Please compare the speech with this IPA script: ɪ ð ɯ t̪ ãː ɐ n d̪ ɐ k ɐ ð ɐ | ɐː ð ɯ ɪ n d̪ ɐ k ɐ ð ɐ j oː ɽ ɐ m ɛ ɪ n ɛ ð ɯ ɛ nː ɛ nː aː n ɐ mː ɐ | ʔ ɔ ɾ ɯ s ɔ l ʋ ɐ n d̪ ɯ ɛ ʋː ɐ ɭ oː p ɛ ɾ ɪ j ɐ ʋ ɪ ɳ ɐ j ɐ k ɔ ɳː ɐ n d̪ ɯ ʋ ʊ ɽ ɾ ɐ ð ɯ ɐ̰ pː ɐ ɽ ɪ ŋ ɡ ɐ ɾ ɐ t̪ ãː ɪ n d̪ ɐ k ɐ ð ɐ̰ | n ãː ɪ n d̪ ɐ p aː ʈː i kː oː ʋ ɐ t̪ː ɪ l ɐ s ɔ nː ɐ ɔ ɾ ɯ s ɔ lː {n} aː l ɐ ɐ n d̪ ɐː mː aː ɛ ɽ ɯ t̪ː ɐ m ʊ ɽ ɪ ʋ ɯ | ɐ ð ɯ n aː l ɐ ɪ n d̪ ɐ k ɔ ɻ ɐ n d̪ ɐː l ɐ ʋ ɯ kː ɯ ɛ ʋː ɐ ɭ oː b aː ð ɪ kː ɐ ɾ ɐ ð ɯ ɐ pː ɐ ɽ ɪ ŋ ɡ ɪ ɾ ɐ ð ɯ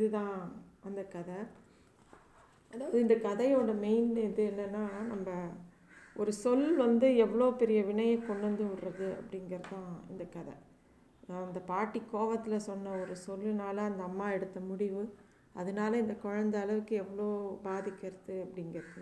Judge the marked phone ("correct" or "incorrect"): correct